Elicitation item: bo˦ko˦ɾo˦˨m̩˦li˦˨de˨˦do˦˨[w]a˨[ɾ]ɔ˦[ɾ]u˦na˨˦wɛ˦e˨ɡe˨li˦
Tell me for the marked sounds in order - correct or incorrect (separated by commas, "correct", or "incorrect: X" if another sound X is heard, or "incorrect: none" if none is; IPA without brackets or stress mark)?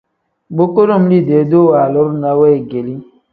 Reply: correct, incorrect: l, correct